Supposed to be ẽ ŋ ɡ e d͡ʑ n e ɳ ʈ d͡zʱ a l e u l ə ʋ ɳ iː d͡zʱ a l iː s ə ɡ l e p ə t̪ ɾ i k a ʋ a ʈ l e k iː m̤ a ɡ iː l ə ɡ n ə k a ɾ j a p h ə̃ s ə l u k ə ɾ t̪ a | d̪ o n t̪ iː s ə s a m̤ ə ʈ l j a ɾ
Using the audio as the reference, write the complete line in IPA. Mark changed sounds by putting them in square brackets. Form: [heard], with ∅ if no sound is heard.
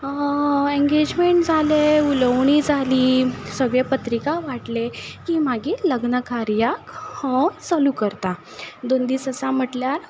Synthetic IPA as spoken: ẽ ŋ ɡ e d͡ʑ [m] e ɳ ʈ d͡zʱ a l e u l ə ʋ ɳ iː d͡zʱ a l iː s ə ɡ [ɭ] e p ə t̪ ɾ i k a ʋ a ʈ l e k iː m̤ a ɡ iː l ə ɡ n ə k a ɾ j a [k] h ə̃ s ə l u k ə ɾ t̪ a | d̪ o n [d̪] iː s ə s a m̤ ə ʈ l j a ɾ